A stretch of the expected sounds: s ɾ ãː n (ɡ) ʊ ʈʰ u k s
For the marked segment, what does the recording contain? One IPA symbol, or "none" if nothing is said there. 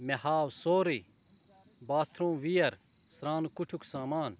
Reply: k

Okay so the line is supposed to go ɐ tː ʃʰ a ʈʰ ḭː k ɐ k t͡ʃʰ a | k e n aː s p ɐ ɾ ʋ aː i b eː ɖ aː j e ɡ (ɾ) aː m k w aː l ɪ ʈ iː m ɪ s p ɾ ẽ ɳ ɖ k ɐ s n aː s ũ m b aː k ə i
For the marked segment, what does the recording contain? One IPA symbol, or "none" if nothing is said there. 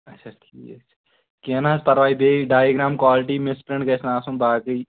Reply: ɾ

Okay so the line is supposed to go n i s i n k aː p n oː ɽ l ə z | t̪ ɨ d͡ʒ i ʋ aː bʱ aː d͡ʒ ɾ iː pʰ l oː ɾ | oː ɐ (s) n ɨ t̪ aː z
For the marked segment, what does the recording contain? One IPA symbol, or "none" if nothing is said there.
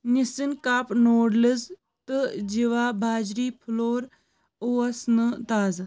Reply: s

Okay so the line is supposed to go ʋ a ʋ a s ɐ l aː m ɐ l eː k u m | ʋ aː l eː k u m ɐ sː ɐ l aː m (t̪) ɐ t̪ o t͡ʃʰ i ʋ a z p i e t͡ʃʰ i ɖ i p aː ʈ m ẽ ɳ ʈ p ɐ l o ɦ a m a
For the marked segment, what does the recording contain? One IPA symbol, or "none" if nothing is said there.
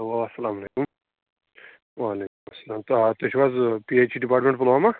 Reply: t̪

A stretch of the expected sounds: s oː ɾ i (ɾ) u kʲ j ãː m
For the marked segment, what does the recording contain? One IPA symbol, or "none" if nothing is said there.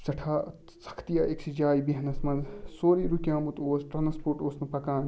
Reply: ɾ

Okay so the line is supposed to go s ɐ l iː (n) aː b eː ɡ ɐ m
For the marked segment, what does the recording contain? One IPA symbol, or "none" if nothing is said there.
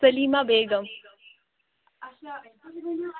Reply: m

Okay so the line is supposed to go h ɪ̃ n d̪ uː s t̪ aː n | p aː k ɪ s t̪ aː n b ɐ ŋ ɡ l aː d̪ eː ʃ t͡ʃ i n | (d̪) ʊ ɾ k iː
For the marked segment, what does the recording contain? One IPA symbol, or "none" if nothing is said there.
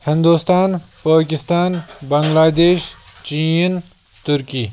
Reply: t̪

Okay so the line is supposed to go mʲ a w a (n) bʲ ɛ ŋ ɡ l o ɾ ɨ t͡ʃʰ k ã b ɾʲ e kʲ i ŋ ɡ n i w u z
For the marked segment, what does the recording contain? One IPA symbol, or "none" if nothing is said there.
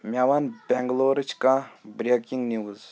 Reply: n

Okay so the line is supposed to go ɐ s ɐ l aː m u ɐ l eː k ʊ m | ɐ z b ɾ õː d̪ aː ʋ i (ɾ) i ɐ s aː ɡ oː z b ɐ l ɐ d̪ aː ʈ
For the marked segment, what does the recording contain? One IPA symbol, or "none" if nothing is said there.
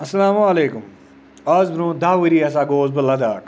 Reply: ɾ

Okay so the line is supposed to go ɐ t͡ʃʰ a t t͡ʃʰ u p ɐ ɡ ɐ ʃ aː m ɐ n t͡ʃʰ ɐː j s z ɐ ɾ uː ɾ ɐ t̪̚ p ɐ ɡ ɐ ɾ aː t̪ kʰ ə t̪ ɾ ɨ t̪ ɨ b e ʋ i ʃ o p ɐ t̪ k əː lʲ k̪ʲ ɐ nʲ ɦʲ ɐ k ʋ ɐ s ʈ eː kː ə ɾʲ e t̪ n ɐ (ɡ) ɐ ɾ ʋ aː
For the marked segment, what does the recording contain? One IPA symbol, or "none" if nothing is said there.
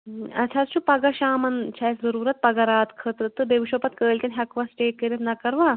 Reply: k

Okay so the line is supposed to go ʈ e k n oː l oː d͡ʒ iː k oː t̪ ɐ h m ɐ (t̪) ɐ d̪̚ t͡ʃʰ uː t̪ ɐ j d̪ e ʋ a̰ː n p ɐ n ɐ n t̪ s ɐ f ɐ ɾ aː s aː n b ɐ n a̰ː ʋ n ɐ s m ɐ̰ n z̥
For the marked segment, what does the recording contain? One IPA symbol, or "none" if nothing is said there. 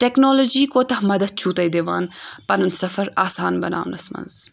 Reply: d̪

